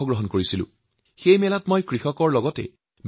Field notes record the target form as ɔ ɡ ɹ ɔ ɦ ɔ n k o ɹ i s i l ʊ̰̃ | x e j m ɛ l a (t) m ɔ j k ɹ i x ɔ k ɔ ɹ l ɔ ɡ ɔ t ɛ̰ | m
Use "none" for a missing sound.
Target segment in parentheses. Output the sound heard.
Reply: t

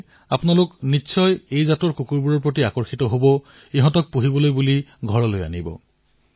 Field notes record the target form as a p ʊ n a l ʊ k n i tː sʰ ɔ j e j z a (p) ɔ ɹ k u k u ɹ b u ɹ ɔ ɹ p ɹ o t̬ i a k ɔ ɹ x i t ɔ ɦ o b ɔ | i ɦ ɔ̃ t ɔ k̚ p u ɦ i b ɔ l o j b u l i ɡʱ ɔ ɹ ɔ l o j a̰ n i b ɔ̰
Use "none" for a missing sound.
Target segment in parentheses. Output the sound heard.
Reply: t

